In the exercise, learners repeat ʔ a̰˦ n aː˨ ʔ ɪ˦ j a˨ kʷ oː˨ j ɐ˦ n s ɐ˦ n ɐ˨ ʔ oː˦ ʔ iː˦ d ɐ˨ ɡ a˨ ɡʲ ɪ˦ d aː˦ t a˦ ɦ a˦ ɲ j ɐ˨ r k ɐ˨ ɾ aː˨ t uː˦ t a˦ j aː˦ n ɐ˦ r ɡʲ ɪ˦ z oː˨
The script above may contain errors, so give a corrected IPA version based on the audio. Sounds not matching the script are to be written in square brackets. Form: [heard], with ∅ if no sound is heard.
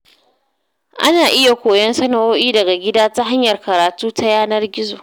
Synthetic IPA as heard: ʔ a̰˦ n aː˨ ʔ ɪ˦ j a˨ kʷ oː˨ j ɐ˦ n s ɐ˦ n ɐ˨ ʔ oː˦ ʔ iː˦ d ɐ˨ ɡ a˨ ɡʲ ɪ˦ d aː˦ t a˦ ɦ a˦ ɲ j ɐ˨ r k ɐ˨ ɾ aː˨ t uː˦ t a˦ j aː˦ n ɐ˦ r ɡʲ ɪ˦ z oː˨